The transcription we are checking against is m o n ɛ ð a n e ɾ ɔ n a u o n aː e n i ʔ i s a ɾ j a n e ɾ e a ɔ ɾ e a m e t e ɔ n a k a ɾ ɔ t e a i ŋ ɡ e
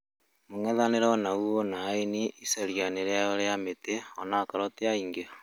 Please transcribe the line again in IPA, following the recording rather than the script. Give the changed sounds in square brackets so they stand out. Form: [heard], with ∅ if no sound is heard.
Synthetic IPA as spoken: m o [ŋ] ɛ ð a n e ɾ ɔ n a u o n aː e n i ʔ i s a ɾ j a n e ɾ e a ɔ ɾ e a m e t e ɔ n a k a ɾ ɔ t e a i ŋ ɡ e

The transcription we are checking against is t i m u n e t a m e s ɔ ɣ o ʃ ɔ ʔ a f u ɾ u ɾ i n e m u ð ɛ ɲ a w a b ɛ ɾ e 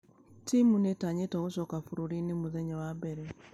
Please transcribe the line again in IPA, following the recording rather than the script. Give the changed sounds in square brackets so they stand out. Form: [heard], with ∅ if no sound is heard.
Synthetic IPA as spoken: t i m u n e t a [ɲ] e [t] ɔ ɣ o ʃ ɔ [k] a f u ɾ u ɾ i n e m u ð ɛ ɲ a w a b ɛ ɾ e

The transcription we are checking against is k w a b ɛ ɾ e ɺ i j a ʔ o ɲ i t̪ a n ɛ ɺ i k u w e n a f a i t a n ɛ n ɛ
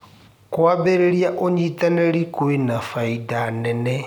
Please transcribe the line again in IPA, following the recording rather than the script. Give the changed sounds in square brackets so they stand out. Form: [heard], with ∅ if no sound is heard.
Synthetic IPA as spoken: k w a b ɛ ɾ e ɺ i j a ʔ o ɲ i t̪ a n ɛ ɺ i k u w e n a f a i [d] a n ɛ n ɛ

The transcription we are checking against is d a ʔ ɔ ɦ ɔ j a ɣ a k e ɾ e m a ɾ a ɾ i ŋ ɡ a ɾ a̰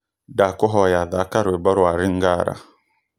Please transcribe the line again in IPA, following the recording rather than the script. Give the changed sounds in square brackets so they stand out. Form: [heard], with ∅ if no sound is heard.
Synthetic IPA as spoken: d a [k] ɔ ɦ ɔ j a [ð] a k [a] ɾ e [b] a ɾ a ɾ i ŋ ɡ a ɾ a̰

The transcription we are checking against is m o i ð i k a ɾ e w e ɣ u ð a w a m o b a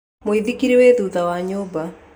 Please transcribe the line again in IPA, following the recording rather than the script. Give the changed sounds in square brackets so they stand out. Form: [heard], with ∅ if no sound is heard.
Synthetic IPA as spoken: m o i ð i k [i] ɾ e w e [ð] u ð a w a [ɲ] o b a

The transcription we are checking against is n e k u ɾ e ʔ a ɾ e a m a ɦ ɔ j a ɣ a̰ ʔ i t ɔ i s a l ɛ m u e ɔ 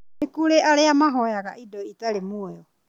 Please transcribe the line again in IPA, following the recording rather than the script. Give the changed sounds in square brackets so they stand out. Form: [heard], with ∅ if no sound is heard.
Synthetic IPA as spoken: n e k u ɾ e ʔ a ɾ e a m a ɦ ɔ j a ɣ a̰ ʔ i [d] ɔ i [t] a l [e] m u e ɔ

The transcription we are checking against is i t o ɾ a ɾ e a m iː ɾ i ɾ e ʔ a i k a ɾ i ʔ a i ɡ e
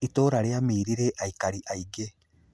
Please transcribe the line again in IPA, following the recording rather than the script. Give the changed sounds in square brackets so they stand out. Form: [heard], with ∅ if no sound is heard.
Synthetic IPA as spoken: i t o ɾ a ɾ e a m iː ɾ i ɾ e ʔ a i k a ɾ i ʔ a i ɡ e

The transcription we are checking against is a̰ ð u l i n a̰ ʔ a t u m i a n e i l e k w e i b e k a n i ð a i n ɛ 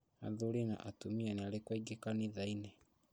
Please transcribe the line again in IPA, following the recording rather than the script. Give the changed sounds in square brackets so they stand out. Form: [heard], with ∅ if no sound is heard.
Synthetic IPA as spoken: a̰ ð u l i n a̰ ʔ a t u m i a n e [a] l e k w [a] i [ɡ] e k a n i ð a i n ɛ

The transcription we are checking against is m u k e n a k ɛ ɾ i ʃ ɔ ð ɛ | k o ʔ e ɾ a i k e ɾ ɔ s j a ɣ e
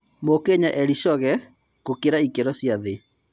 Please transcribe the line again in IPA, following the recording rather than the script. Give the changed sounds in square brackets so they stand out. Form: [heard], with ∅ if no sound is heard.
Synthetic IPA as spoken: m [o] k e [ɲ] a [ʔ] ɛ ɾ i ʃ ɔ [ɣ] ɛ | k o [k] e ɾ a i k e ɾ ɔ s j a [ð] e

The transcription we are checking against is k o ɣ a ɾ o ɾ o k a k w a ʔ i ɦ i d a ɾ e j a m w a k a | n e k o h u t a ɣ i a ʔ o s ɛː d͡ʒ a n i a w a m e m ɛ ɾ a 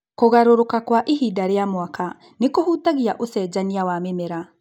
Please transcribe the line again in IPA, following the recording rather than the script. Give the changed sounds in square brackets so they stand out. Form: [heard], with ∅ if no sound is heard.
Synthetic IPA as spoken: k o ɣ a ɾ o ɾ o k a k w a ʔ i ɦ i d a ɾ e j a m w a k a | n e k o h u t a ɣ i a ʔ o s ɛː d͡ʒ a n i a w a m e m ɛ ɾ a

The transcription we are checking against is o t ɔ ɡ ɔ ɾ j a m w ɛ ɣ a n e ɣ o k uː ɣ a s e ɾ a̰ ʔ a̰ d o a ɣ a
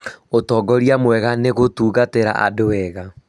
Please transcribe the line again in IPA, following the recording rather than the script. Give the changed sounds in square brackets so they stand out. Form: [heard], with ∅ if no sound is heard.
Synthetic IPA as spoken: o t ɔ ɡ ɔ ɾ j a m w ɛ ɣ a n e ɣ o [t] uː ɣ a [t] e ɾ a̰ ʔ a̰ d o [ɛ] ɣ a

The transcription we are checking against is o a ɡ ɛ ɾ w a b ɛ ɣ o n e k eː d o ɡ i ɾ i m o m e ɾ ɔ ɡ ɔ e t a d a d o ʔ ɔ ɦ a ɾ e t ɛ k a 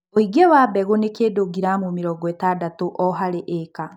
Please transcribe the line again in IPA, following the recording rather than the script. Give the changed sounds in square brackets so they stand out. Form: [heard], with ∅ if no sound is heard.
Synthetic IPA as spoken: o [i] ɡ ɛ [∅] w a b ɛ ɣ o n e k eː d o ɡ i ɾ [a] m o m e ɾ ɔ ɡ ɔ e t a d a [t] o ʔ ɔ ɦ a ɾ e [ʔ] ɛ k a

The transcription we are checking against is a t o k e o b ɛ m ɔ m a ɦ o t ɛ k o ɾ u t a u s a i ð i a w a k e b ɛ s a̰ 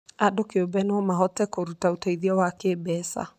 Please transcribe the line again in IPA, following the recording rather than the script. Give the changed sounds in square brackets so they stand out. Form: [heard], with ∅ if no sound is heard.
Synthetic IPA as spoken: a [d] o k e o b ɛ [n] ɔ m a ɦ [ɔ] t ɛ k o ɾ u t a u [t] a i ð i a w a k e b ɛ s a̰

